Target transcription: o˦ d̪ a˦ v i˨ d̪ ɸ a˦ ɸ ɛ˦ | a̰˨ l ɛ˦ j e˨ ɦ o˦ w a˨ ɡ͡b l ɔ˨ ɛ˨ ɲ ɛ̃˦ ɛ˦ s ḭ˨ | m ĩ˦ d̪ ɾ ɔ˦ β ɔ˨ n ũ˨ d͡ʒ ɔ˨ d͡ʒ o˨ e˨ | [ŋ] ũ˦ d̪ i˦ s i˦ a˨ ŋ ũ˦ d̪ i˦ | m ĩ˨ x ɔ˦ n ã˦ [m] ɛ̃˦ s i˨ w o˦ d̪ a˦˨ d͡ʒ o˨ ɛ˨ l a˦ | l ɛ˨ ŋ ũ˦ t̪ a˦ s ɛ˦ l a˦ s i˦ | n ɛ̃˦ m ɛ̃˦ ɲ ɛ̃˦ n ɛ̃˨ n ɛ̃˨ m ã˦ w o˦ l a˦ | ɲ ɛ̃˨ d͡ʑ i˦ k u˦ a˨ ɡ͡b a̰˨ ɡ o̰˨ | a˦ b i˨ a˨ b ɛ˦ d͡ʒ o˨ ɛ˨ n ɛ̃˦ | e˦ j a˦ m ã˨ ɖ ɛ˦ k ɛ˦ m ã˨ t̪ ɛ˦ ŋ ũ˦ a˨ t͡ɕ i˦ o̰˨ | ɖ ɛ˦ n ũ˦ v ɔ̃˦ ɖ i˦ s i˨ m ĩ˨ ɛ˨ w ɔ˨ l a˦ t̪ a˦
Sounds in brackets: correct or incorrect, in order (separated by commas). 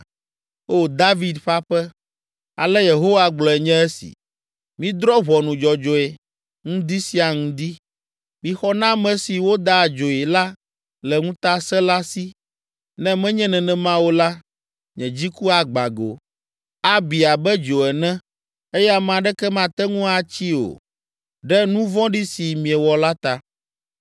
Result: correct, correct